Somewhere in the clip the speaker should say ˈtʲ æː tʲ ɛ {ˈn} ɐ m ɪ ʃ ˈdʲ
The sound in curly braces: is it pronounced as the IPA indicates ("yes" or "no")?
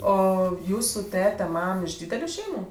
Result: no